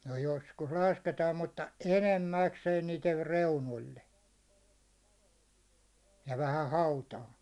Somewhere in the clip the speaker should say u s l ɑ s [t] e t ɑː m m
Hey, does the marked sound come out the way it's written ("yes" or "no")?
no